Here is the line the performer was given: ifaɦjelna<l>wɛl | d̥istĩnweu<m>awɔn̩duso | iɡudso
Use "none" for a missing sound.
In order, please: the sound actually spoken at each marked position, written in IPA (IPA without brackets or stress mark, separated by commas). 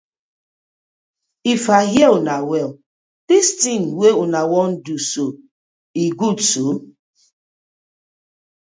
none, n